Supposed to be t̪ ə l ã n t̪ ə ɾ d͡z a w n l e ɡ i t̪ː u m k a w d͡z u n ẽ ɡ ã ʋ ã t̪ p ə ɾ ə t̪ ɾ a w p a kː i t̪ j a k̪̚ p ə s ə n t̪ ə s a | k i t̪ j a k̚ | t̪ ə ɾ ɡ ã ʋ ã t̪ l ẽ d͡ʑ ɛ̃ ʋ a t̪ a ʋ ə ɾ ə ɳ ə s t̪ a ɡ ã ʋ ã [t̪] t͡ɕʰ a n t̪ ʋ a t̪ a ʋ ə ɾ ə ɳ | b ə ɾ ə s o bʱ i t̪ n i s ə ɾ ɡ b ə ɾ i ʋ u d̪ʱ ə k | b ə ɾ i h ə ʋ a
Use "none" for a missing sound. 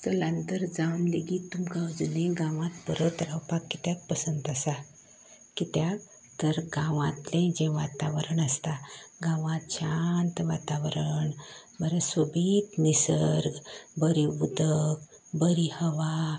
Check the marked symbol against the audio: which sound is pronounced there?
t̪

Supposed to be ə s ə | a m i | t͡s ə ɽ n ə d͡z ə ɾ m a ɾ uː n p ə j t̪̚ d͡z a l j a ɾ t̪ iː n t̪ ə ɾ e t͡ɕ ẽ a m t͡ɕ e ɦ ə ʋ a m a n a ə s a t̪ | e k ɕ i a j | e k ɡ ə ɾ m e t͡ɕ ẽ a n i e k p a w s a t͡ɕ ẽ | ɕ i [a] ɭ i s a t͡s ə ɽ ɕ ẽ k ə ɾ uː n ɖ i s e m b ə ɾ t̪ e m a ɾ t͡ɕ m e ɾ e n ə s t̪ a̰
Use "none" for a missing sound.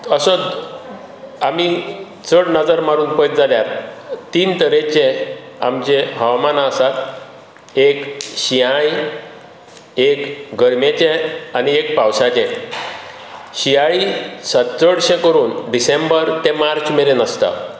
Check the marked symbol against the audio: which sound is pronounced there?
a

